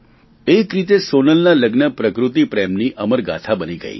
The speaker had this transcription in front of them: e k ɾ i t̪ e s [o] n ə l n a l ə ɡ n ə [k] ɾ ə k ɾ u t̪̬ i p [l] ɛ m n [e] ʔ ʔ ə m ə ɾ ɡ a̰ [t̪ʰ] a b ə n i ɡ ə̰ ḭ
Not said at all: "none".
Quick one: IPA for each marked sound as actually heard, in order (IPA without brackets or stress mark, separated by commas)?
o, p, ɾ, i, t̪ʰ